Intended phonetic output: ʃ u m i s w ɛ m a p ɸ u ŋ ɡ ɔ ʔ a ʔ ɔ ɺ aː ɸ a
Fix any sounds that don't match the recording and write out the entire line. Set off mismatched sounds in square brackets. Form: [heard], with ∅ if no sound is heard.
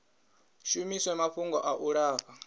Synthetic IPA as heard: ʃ u m i s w ɛ m a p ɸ u ŋ ɡ ɔ ʔ a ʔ [u] ɺ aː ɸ a